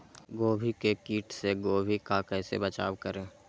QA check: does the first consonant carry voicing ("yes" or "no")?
yes